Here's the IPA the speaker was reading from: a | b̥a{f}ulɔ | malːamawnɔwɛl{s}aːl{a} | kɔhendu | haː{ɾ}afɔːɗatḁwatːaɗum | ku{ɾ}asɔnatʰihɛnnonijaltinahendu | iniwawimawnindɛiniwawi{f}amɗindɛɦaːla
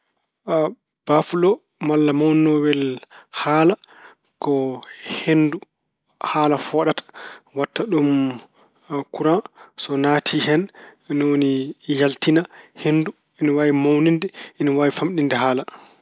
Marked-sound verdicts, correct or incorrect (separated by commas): correct, incorrect, correct, incorrect, correct, correct